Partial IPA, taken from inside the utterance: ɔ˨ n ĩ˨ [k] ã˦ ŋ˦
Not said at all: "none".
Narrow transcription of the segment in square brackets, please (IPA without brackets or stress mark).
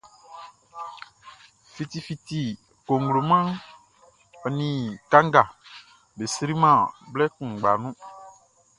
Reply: k